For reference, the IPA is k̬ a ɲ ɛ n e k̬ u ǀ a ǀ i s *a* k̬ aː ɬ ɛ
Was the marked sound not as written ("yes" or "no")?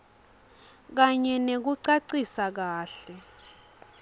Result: no